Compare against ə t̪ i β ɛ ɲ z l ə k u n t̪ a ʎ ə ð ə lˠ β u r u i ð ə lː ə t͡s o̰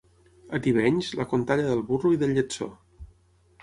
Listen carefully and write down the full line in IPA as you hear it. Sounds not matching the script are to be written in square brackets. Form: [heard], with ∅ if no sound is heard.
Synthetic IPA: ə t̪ i β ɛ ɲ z l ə k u n t̪ a ʎ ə ð ə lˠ β u r u i ð ə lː ə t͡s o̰